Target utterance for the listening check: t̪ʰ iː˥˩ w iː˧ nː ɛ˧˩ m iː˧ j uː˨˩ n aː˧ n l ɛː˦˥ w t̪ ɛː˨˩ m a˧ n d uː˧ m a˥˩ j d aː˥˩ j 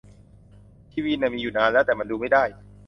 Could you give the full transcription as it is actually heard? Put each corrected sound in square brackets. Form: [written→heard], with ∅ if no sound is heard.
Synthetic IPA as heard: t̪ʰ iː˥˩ w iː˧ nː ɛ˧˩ m iː˧ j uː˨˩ n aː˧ n l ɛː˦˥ w t̪ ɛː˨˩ m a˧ n d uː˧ m a˥˩ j d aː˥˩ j